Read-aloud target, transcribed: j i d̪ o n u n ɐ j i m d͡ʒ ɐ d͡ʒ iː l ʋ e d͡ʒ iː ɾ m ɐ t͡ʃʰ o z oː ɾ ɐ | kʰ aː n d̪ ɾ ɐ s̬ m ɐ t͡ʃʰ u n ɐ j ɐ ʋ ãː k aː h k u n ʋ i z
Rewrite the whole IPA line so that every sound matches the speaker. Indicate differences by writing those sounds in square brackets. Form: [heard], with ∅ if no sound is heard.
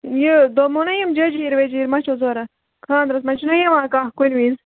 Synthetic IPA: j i d̪ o [m] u n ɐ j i m d͡ʒ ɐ d͡ʒ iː [ɾ] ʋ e d͡ʒ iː ɾ m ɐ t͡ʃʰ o z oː ɾ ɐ | kʰ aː n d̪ ɾ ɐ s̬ m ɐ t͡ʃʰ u n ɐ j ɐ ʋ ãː k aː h k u n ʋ i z